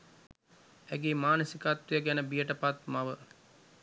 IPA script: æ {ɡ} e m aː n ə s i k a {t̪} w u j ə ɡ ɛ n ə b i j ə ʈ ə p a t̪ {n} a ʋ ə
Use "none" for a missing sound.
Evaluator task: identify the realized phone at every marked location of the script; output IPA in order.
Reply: ɡ, t̪, m

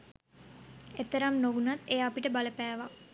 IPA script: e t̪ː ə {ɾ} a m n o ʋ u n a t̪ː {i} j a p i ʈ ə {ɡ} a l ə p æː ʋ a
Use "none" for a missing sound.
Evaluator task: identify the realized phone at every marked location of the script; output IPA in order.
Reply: ɾ, e, b

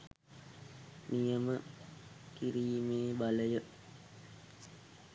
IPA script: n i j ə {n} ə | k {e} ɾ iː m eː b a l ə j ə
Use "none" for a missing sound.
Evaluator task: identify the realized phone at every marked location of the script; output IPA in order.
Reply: m, i

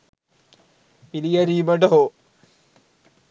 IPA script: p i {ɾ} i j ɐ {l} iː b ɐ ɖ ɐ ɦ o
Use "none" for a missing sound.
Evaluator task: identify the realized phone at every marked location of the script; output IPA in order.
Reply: l, ɾ

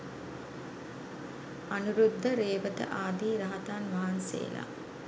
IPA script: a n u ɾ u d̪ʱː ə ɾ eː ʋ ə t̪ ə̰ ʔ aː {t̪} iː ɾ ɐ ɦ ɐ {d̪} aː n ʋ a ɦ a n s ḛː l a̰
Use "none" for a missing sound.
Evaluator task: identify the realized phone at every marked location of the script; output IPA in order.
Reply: d̪, t̪

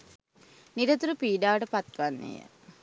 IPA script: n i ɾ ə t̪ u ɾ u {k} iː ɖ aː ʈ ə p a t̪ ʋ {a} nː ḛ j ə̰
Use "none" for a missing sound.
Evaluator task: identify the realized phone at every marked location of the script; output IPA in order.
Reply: p, a

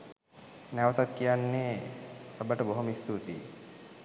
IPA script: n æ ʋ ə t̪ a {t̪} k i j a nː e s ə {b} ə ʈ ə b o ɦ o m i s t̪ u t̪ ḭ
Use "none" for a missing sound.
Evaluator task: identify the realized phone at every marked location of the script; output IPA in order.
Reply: t̪, b

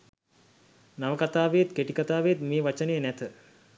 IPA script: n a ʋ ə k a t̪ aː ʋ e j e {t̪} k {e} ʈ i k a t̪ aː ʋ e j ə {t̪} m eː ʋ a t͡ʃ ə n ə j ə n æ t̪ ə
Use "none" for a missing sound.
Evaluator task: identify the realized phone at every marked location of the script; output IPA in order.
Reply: t̪, e, t̪

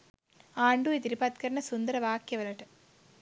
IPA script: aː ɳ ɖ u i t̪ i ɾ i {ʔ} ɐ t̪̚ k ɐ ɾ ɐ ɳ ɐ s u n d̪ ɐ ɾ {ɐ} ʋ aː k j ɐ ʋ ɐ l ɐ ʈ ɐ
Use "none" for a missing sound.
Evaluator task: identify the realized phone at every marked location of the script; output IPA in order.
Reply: p, ɐ

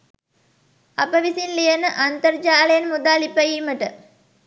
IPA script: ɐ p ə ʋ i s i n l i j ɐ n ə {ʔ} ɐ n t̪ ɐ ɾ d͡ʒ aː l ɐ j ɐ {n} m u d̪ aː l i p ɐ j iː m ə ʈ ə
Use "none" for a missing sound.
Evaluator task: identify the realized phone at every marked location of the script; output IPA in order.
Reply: ʔ, n

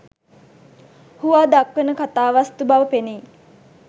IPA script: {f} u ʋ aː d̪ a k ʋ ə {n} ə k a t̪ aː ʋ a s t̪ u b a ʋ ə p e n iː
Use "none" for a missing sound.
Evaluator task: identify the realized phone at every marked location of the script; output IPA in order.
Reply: h, n

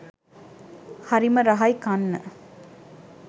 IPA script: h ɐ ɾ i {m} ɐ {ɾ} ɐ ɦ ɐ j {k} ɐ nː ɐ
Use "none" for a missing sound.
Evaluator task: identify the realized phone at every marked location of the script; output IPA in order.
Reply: m, ɾ, k

